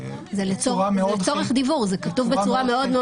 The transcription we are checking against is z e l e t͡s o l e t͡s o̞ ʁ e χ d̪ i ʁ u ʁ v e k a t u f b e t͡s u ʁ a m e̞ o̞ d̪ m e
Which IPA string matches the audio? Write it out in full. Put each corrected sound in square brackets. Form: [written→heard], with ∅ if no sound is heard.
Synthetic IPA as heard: z e l e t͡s o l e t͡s o̞ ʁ e χ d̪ i [ʁ→v] u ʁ [v→z] e k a t u [f→v] b e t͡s u ʁ a m e̞ o̞ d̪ m e